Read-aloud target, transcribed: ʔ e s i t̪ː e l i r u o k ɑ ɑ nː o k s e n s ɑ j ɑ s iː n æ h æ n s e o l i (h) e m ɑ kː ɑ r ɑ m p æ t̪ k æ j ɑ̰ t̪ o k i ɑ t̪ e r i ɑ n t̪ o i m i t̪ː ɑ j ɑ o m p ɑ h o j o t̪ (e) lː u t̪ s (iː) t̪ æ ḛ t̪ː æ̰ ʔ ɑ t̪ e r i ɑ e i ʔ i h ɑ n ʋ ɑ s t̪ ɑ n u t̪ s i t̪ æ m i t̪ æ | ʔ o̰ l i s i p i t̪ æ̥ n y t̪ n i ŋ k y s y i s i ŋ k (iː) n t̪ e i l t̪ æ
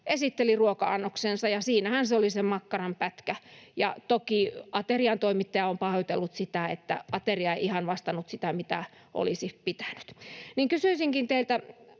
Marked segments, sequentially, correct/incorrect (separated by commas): incorrect, correct, incorrect, incorrect